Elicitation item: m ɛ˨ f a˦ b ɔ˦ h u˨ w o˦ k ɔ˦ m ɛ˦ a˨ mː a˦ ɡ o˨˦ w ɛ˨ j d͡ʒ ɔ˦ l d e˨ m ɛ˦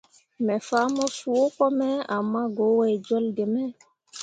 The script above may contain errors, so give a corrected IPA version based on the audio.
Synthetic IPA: m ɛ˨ f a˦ m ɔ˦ s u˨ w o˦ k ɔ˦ m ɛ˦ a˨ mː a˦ ɡ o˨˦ w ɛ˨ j d͡ʒ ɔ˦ l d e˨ m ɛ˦